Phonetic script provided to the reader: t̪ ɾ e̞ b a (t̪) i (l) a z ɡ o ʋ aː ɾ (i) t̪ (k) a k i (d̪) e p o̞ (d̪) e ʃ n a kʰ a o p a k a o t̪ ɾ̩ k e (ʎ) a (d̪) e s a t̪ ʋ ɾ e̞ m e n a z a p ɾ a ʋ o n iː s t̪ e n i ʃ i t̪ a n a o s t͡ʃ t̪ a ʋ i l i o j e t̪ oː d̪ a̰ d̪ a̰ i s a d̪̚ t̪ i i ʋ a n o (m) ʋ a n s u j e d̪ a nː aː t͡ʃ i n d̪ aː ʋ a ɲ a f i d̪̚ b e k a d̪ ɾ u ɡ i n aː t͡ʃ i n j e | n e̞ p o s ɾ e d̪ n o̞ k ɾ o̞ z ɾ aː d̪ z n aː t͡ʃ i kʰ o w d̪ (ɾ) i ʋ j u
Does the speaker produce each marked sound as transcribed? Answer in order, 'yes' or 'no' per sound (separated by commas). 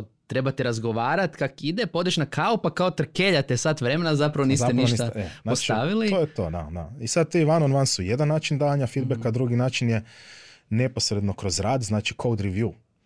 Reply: yes, no, no, yes, yes, yes, yes, no, no, yes